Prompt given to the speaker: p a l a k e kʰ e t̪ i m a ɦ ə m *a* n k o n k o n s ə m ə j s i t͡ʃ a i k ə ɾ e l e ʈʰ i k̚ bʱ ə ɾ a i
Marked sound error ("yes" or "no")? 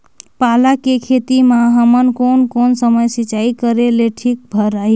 yes